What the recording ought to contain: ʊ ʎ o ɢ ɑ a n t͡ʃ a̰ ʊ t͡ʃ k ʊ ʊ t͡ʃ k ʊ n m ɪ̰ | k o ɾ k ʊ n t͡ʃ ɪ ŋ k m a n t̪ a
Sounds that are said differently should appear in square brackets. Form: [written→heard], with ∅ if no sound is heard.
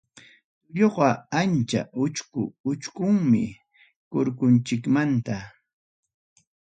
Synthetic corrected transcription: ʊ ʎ o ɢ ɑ a n t͡ʃ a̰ ʊ t͡ʃ k ʊ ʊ t͡ʃ k ʊ [n→ŋ] m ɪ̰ | k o ɾ k ʊ n t͡ʃ ɪ [ŋ→∅] k m a n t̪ a

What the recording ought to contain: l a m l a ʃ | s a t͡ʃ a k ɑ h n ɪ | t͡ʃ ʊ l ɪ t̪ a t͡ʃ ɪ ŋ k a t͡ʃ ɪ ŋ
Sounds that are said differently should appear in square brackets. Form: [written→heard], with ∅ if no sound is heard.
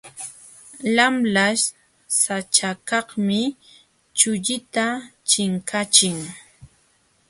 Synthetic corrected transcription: l a m l a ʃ | s a t͡ʃ a k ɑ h [n→m] ɪ | t͡ʃ ʊ [l→ʎ] ɪ t̪ a t͡ʃ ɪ ŋ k a t͡ʃ ɪ ŋ

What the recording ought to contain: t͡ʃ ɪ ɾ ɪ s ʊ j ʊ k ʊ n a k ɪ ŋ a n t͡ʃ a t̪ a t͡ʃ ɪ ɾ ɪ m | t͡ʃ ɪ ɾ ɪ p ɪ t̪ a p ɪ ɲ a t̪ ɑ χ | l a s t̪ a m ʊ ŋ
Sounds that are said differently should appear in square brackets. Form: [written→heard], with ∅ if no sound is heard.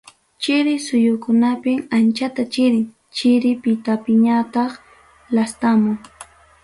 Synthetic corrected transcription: t͡ʃ ɪ ɾ ɪ s ʊ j ʊ k ʊ n a [k→p] ɪ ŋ a n t͡ʃ a t̪ a t͡ʃ ɪ ɾ ɪ [m→ŋ] | t͡ʃ ɪ ɾ ɪ p ɪ t̪ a p ɪ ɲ a t̪ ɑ χ | l a s t̪ a m ʊ ŋ

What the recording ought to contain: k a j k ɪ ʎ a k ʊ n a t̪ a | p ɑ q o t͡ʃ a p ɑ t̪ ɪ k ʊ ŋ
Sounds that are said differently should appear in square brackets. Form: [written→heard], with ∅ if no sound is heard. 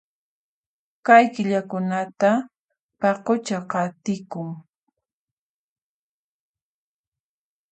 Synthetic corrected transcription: k a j k ɪ ʎ a k ʊ n a t̪ a | p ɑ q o t͡ʃ a [p→q] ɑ t̪ ɪ k ʊ ŋ

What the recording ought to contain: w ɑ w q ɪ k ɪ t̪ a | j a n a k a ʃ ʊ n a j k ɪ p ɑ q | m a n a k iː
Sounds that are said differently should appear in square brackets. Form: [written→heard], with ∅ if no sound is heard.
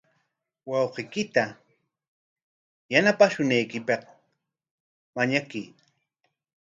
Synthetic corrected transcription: w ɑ w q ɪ k ɪ t̪ a | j a n a [k→p] a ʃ ʊ n a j k ɪ p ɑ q | m a [n→ɲ] a k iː

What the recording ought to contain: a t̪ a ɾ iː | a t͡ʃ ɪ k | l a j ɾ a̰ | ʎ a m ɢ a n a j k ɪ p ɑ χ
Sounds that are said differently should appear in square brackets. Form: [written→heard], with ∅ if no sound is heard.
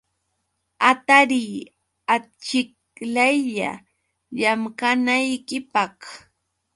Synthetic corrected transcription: a t̪ a ɾ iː | a t͡ʃ ɪ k | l a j [ɾ→ʎ] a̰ | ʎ a m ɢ a n a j k ɪ p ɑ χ

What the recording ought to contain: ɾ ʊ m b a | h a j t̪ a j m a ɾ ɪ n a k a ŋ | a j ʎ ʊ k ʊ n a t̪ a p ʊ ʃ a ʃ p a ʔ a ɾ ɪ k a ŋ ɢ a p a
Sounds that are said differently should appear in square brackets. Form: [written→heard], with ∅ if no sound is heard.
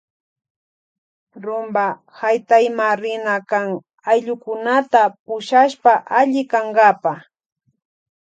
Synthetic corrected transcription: ɾ ʊ m b a | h a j t̪ a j m a ɾ ɪ n a k a ŋ | a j ʎ ʊ k ʊ n a t̪ a p ʊ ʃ a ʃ p a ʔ a [ɾ→ʎ] ɪ k a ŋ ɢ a p a

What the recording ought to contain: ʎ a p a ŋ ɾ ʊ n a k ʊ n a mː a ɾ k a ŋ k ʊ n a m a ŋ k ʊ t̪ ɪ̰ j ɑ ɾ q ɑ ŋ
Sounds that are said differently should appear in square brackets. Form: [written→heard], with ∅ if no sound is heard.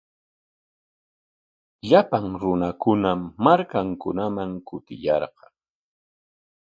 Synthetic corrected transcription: ʎ a p a ŋ ɾ ʊ n a k ʊ n a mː a ɾ k a ŋ k ʊ n a m a ŋ k ʊ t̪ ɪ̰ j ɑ ɾ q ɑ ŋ

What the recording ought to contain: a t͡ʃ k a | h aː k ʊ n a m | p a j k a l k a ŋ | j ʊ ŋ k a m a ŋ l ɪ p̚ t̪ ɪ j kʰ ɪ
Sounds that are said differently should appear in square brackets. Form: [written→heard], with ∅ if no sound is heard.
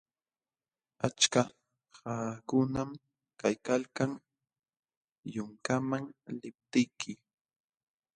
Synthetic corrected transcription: a t͡ʃ k a | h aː k ʊ n a m | [p→k] a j k a l k a ŋ | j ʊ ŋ k a m a ŋ l ɪ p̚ t̪ ɪ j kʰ ɪ

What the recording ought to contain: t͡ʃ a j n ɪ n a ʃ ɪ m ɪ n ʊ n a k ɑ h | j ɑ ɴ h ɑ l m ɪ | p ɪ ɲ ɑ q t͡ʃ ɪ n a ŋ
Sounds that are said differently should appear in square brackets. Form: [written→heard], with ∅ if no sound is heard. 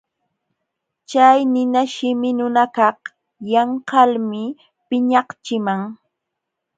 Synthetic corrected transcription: t͡ʃ a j n ɪ n a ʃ ɪ m ɪ n ʊ n a k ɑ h | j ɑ ɴ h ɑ l m ɪ | p ɪ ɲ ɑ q t͡ʃ ɪ [n→m] a ŋ

